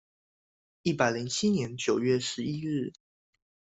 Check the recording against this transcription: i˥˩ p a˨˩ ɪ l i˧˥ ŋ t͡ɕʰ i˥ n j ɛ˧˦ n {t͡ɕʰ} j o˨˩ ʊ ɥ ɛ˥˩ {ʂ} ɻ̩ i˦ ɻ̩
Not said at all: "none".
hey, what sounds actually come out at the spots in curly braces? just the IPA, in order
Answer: t͡ɕ, ʂ

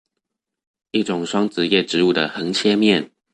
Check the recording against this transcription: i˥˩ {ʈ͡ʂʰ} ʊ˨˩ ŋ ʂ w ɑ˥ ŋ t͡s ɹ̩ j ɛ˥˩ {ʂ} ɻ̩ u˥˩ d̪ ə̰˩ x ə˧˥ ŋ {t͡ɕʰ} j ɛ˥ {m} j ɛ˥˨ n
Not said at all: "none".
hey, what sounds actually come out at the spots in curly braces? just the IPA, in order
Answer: ʈ͡ʂ, ʈ͡ʂ, t͡ɕʰ, m

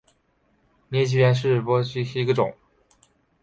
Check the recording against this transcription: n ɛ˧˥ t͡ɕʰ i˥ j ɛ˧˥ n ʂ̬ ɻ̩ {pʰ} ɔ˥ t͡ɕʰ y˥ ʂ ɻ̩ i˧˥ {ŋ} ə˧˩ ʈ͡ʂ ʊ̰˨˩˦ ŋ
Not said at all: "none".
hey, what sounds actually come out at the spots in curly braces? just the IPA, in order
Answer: p, ɡ

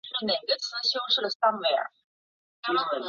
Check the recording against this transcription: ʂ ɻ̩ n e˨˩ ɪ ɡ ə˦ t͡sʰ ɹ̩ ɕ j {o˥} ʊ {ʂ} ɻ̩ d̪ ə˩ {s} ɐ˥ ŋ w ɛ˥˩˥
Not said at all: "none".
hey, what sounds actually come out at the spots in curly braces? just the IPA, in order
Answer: o˥, ʂ, s

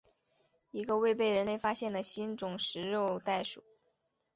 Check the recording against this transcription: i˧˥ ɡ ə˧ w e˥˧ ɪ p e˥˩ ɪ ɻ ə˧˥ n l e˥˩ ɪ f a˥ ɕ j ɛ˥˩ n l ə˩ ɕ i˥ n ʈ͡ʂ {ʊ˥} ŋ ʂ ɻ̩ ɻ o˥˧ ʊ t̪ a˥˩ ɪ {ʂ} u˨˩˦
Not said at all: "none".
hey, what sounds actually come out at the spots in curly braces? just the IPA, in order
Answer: ʊ˨˩, ʂ

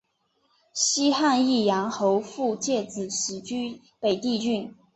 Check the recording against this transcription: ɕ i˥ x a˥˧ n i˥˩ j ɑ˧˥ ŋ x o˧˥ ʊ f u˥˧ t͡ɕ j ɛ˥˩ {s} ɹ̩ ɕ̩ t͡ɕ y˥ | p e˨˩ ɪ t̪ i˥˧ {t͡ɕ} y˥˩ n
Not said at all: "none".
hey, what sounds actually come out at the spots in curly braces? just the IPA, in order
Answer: t͡s, t͡ɕ

